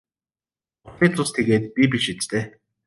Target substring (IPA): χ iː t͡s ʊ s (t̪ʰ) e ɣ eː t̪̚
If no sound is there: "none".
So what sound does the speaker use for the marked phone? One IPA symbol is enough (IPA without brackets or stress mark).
t̪ʰ